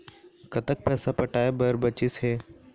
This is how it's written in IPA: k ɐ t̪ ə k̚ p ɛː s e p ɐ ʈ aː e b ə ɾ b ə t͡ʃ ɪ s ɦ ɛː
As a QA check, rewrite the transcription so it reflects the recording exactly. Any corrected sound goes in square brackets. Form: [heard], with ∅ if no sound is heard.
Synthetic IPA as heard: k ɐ t̪ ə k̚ p ɛː s [a] p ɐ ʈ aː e b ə ɾ b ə t͡ʃ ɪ s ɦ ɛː